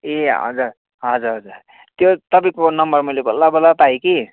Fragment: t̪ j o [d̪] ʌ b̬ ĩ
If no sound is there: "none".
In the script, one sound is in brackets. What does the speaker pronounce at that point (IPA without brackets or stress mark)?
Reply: t̪